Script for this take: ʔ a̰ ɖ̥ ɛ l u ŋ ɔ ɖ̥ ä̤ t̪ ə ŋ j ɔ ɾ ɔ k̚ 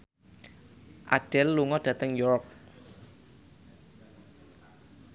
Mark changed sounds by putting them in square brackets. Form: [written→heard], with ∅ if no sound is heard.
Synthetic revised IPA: ʔ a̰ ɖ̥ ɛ [l→lː] u ŋ ɔ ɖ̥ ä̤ t̪ ə ŋ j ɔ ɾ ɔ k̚